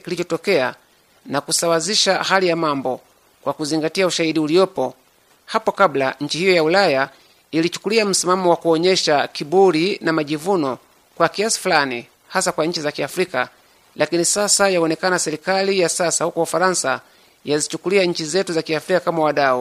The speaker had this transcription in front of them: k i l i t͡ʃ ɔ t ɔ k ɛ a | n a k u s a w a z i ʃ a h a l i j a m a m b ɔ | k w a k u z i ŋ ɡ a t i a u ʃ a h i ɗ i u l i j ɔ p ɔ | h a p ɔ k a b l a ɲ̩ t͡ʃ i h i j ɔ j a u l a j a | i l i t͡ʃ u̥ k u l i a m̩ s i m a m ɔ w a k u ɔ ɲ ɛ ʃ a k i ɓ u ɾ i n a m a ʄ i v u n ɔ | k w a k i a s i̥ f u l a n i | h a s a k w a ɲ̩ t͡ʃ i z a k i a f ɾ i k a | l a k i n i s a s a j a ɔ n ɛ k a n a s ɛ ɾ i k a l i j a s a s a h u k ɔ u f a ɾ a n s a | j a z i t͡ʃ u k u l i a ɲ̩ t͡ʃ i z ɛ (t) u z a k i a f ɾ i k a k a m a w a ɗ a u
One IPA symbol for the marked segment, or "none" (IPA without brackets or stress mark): t